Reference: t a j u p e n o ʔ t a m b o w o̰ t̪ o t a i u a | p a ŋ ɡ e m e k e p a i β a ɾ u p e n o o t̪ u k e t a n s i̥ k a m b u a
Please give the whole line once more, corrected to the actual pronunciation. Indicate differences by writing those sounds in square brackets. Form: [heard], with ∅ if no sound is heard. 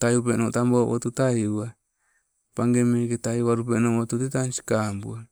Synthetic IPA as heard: t a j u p e n o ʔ t a m b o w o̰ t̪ [u] t a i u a | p a ŋ ɡ e m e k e [t] a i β a ɾ u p e n o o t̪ u [t] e t a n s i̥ k a m b u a

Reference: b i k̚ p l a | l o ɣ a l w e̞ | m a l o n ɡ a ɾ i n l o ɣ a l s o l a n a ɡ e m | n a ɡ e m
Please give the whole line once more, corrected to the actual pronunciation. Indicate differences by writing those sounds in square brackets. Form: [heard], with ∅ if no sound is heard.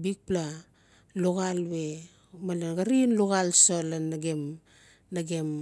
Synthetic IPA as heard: b i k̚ p l a | l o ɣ a l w e̞ | m a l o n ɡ a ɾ i n l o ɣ a l s o l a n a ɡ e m | n a ɡ e m

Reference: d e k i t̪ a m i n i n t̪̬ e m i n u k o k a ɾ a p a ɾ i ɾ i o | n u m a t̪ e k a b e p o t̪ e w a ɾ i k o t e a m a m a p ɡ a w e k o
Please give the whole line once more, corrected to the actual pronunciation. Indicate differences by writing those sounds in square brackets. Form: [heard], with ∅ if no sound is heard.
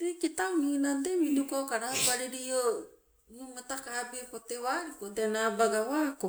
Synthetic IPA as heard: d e k i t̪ a m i n [a] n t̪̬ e m i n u k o k a ɾ a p a ɾ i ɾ i o | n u m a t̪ [a] k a b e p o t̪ e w a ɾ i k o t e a [n] a [b] a [∅] ɡ a w [a] k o

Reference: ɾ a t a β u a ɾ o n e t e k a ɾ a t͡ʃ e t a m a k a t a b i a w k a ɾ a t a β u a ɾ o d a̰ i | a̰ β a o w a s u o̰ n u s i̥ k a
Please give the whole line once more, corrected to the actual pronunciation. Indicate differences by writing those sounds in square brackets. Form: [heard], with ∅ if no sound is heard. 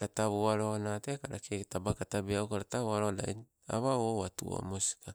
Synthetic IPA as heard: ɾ a t a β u a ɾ o n [a] t e k a ɾ a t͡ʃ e t a [b] a k a t a b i a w k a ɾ a t a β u a ɾ o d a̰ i | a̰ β a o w a [t] u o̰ [m] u s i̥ k a

